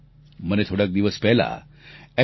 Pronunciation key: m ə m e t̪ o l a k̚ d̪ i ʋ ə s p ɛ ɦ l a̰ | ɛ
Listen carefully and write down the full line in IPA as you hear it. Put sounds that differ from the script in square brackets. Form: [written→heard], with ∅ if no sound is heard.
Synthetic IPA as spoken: m ə [m→n] e [t̪→t̪ʰ] o [l→ɽ] a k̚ d̪ i ʋ ə s p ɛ ɦ l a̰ | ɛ